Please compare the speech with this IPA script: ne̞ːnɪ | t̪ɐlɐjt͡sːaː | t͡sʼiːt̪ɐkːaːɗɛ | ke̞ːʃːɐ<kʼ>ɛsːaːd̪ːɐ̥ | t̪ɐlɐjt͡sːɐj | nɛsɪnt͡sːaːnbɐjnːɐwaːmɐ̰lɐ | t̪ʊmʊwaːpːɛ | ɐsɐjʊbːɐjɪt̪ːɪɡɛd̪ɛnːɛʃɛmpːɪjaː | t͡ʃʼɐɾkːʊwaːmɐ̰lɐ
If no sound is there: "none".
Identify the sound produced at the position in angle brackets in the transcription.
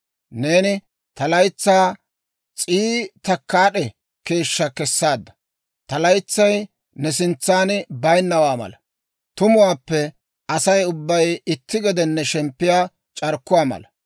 k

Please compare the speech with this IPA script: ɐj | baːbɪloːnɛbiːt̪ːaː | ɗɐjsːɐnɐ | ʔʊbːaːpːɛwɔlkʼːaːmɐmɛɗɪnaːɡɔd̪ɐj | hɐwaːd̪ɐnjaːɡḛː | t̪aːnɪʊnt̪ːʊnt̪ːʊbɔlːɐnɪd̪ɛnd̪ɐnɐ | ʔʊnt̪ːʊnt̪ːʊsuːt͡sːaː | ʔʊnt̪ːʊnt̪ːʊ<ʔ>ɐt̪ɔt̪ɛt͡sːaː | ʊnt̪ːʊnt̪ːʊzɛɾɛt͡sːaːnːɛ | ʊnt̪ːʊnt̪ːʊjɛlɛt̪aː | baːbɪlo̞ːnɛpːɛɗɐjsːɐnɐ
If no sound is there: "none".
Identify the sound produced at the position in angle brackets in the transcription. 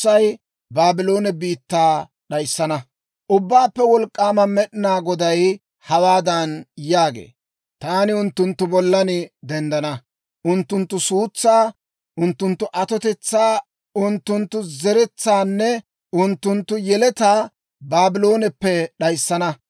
ʔ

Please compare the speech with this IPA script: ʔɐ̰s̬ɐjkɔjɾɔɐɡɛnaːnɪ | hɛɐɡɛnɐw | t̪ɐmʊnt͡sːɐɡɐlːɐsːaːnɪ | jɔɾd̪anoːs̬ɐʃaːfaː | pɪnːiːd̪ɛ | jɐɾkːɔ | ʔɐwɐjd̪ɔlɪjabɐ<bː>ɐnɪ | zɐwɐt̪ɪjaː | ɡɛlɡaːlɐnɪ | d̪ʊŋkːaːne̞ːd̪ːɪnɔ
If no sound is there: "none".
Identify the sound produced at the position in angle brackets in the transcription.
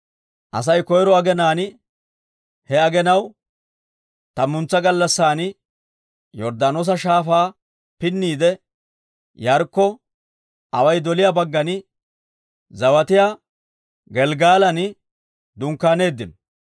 ɡː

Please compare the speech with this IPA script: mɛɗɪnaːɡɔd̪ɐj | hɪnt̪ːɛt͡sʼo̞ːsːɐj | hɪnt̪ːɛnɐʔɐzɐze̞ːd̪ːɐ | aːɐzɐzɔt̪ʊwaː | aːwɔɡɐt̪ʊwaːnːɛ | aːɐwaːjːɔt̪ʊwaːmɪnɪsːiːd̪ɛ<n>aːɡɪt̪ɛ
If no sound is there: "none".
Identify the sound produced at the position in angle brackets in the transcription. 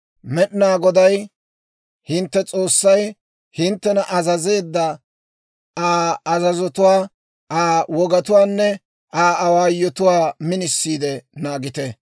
n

